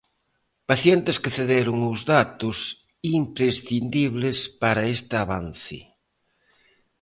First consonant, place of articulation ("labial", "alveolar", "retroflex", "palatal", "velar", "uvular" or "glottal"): labial